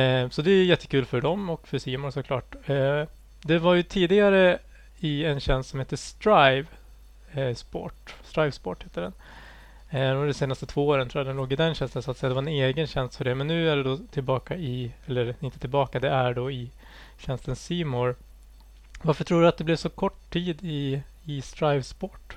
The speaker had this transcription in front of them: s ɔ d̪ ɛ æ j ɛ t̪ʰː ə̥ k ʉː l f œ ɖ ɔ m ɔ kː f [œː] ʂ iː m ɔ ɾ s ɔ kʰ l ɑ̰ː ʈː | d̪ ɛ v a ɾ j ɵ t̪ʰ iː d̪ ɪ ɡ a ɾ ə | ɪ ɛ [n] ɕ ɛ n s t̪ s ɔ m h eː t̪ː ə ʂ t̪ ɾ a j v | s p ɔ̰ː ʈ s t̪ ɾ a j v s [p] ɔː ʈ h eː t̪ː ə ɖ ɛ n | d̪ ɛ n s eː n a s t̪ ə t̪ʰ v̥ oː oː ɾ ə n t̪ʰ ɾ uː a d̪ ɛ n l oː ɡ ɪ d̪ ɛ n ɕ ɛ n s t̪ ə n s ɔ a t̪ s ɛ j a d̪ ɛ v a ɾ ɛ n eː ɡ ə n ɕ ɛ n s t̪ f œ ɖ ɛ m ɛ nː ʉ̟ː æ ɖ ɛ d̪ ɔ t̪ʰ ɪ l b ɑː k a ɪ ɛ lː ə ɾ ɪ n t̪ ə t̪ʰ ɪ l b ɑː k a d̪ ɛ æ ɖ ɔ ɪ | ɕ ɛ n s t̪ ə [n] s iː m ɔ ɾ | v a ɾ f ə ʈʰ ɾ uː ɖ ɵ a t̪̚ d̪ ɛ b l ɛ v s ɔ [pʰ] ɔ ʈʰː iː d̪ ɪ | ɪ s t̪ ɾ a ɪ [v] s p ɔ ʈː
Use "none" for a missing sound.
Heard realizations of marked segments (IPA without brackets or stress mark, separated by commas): œ, n, p, n, kʰ, v